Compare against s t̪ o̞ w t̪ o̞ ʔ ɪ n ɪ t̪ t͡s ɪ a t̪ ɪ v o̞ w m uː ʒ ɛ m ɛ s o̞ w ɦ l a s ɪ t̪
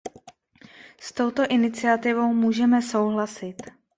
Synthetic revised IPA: s t̪ o̞ w t̪ o̞ ʔ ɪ n ɪ t͡s ɪ a t̪ ɪ v o̞ w m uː ʒ ɛ m ɛ s o̞ w ɦ l a s ɪ t̪